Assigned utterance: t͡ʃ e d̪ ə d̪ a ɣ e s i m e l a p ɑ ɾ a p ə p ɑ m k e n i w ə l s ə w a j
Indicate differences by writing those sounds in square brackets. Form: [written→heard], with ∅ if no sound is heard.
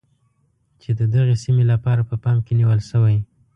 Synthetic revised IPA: t͡ʃ e d̪ ə d̪ a ɣ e s i m e l a p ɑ ɾ a p ə p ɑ m k e n i w ə l [s→ʃ] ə w a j